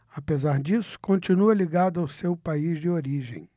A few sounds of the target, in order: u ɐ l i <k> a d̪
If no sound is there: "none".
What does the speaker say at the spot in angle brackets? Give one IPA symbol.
ɡ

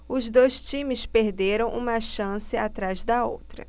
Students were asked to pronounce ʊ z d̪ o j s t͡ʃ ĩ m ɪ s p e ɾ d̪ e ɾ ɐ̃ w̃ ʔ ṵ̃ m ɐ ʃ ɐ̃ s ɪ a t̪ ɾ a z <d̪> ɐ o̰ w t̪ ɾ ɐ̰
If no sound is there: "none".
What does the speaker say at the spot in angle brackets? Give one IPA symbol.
d̪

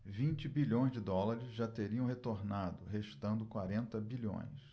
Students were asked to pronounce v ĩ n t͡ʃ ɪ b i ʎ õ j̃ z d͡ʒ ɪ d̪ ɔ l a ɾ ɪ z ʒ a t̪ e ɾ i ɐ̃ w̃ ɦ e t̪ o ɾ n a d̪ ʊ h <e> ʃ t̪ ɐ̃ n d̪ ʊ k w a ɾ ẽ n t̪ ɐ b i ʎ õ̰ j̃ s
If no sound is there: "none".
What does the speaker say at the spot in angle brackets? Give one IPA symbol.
e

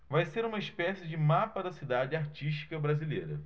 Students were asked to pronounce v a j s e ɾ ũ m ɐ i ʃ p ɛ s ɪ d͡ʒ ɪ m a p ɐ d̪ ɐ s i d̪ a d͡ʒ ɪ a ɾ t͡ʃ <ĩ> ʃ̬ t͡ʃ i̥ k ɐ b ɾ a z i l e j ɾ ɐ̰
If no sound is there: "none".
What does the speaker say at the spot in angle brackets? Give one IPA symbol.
i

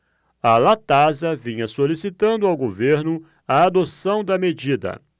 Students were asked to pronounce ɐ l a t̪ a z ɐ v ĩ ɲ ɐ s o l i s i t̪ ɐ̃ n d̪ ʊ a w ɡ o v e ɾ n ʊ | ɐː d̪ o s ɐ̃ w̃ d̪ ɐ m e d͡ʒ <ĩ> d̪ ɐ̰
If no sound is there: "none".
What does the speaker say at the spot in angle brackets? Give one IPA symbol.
i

